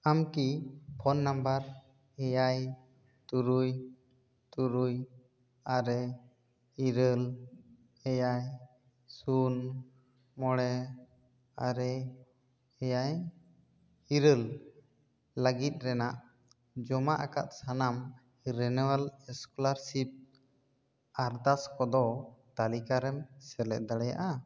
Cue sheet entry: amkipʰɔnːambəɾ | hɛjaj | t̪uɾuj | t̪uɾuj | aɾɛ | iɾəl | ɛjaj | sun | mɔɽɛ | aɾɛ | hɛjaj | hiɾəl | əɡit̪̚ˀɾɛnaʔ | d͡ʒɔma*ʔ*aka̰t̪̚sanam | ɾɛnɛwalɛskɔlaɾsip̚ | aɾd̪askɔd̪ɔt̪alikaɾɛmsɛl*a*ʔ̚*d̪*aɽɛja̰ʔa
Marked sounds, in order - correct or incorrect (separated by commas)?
correct, incorrect, correct